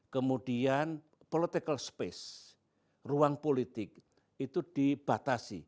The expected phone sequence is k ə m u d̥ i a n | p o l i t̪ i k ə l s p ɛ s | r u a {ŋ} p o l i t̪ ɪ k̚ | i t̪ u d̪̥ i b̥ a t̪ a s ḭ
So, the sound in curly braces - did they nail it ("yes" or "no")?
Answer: yes